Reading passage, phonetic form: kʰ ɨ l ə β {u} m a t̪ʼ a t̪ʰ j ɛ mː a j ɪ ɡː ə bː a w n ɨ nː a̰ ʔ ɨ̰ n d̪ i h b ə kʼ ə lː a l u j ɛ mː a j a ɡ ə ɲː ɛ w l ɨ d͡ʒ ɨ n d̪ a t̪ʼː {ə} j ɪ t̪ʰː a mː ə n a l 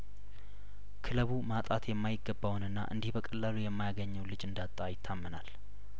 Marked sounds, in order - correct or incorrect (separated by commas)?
correct, incorrect